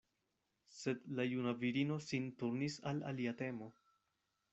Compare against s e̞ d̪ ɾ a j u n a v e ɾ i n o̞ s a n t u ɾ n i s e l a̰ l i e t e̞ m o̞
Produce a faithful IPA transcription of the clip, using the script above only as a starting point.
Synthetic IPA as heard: s e̞ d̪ l a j u n a v i ɾ i n o̞ s i n t u ɾ n i s a l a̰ l i a t e̞ m o̞